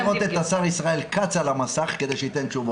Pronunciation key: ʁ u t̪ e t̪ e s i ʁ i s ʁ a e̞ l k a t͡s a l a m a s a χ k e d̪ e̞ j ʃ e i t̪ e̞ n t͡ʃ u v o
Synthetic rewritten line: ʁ o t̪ e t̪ a s a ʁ i s ʁ a e̞ l k a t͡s a l a m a s a χ k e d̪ e̞ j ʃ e i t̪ e̞ n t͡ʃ u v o